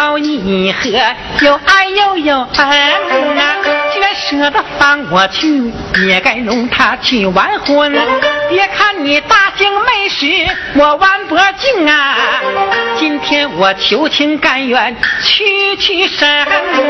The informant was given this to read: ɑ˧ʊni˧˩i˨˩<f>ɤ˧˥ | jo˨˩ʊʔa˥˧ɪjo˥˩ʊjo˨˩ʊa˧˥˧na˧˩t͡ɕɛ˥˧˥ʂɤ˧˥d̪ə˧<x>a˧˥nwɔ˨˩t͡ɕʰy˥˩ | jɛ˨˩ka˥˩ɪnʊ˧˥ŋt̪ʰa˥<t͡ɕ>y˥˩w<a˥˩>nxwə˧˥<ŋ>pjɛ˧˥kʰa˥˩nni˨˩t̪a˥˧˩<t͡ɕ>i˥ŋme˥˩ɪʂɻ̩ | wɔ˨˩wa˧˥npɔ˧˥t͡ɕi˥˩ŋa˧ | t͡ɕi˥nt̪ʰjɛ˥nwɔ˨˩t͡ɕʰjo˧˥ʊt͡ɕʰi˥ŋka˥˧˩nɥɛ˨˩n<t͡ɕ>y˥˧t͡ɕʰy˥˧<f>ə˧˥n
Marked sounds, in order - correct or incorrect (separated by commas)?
incorrect, incorrect, incorrect, incorrect, incorrect, correct, incorrect, incorrect